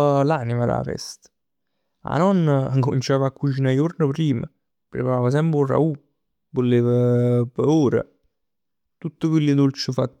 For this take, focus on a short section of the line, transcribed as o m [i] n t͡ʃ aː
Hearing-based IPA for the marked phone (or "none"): i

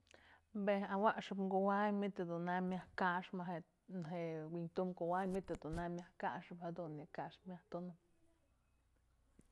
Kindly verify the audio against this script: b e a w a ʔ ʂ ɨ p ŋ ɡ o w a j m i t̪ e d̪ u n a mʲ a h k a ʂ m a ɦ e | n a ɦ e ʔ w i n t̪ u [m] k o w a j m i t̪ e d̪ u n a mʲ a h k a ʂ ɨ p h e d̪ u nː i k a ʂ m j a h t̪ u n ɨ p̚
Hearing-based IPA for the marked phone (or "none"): m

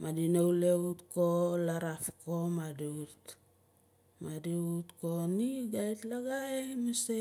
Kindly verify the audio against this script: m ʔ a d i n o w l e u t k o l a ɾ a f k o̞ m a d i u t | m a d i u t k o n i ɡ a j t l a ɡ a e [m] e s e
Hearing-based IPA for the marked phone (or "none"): m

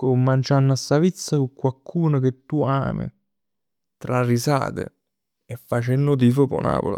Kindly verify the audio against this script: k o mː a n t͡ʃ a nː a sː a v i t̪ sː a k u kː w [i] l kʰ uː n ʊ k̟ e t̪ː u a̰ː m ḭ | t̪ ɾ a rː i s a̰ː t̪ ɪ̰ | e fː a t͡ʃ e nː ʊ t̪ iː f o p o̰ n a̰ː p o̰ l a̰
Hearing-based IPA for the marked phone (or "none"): a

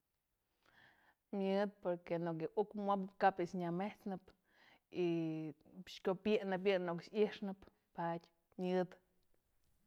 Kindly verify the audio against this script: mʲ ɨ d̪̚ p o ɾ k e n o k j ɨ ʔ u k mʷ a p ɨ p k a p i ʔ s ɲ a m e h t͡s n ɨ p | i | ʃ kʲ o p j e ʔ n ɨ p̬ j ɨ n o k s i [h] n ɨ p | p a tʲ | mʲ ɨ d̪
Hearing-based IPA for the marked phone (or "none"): ʂ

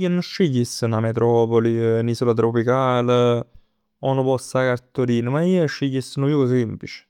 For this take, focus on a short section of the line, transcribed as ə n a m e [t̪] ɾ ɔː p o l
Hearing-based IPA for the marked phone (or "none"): t̪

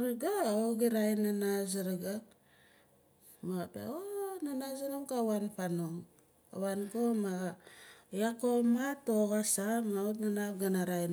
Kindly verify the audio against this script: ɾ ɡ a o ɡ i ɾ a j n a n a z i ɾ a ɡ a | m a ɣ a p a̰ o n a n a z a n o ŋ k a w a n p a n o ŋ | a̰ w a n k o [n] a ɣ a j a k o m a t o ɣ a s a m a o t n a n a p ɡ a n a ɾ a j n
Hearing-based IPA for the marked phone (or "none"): m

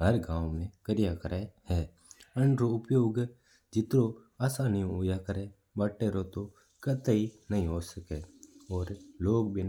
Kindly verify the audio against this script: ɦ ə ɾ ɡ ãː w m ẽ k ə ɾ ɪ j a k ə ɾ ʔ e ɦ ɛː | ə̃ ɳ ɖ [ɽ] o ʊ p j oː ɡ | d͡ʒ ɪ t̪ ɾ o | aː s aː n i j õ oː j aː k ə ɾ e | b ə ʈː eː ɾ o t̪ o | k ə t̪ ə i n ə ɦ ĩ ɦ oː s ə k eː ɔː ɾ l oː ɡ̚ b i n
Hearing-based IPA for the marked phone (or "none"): ɾ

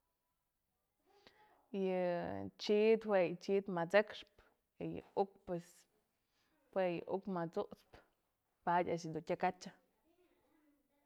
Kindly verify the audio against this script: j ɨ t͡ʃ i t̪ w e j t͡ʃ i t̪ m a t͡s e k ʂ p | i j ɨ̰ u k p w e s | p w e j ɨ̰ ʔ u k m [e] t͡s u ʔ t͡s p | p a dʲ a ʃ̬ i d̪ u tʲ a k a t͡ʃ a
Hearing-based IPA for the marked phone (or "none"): a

